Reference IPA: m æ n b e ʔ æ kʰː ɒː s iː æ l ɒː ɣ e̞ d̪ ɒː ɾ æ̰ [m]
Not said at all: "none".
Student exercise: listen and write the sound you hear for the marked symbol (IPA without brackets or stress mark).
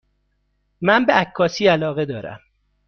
m